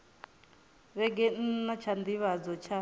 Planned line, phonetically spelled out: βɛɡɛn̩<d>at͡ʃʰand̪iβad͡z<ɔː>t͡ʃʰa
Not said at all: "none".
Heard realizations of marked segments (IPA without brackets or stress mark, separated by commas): n, ɔ